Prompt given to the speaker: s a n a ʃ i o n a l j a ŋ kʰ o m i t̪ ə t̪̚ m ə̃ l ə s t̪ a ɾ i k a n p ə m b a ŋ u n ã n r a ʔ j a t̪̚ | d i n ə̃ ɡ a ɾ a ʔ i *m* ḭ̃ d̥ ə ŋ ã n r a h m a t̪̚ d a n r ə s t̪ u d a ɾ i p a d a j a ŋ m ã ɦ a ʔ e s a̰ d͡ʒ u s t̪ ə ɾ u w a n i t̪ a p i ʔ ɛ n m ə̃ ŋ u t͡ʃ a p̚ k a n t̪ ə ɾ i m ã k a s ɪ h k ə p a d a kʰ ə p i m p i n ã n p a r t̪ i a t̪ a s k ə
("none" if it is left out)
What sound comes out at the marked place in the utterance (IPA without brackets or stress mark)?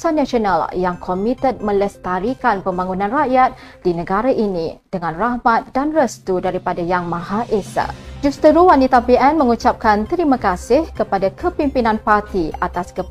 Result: n